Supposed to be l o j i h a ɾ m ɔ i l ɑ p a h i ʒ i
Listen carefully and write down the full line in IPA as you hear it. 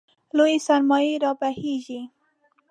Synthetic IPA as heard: l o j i s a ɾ m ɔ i ɾ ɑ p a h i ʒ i